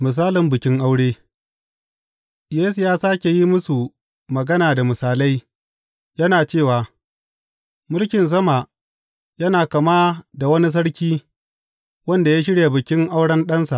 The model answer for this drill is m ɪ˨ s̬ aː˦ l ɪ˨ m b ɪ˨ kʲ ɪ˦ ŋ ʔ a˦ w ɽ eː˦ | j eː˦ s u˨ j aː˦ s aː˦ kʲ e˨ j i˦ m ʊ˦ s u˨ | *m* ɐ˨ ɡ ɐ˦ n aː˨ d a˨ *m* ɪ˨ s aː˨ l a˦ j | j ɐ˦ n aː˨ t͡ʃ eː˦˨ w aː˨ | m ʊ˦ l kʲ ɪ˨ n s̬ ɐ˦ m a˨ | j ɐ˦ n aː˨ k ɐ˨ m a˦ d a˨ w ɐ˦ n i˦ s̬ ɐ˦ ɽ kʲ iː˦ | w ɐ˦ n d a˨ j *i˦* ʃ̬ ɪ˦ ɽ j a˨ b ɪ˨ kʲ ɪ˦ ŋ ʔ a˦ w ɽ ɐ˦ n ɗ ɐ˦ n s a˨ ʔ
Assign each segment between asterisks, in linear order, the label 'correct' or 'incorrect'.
correct, correct, incorrect: a˦

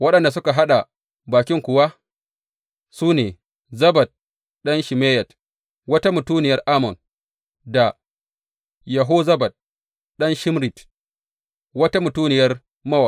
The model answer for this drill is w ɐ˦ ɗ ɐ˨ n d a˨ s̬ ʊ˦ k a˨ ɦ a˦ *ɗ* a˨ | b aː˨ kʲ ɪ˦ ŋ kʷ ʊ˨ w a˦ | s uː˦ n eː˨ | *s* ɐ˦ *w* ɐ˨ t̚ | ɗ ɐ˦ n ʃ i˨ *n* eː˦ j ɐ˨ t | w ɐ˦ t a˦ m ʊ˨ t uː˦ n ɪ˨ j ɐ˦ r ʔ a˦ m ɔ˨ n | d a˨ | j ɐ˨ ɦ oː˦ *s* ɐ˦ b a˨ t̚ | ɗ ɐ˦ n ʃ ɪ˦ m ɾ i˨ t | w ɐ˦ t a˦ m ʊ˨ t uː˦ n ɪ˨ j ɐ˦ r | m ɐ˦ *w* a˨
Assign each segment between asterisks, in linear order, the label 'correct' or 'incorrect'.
correct, incorrect: z, incorrect: b, incorrect: m, incorrect: z, correct

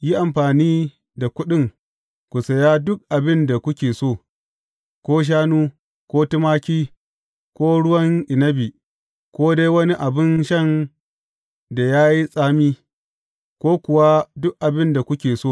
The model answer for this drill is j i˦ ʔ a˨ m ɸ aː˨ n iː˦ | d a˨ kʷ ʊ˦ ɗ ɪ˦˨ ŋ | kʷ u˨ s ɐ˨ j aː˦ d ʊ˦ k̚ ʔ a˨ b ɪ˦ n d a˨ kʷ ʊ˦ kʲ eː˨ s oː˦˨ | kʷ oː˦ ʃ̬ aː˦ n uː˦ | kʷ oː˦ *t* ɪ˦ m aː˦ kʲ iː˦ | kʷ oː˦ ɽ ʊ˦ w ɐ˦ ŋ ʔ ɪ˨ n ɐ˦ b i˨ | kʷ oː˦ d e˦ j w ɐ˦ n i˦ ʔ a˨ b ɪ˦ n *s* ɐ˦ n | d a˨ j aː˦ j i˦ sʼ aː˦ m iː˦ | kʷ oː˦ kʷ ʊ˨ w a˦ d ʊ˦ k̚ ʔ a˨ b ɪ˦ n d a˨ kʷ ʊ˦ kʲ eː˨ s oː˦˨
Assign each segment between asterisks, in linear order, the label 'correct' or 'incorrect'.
correct, incorrect: ʃ

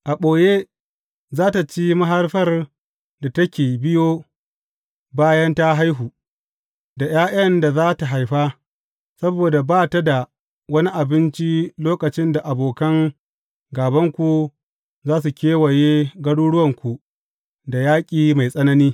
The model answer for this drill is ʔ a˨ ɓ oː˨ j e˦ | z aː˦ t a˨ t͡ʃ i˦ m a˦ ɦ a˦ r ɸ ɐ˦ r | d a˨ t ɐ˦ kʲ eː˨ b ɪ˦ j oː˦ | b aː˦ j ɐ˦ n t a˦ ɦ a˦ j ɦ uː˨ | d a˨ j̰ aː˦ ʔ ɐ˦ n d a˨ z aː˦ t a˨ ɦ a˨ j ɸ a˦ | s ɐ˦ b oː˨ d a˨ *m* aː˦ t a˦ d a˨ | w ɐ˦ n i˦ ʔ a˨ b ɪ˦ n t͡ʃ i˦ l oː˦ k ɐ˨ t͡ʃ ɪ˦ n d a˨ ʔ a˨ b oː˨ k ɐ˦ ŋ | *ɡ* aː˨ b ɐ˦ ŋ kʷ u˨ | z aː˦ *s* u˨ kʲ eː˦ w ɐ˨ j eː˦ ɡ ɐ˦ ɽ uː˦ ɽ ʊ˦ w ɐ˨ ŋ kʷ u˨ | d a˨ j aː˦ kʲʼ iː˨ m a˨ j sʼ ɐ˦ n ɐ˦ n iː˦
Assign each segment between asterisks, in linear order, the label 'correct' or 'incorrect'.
incorrect: b, correct, correct

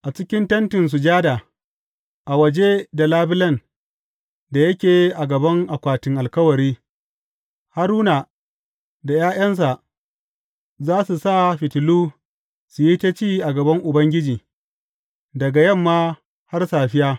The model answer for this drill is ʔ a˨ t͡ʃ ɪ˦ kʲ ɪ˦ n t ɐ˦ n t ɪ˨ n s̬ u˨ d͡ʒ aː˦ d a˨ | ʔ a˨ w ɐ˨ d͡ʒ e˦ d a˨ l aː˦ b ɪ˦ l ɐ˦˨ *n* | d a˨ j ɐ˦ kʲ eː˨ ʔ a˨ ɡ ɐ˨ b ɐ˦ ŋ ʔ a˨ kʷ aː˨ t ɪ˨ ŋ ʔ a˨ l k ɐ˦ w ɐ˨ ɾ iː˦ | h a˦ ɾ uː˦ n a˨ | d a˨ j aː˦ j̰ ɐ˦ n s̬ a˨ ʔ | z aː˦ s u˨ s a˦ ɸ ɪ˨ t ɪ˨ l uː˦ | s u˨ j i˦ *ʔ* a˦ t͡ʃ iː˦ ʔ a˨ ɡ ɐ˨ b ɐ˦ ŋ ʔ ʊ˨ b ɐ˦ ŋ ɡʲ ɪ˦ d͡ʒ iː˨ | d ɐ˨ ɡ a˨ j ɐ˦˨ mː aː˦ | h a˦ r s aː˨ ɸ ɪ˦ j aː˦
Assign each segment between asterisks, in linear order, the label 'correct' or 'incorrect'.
correct, incorrect: t

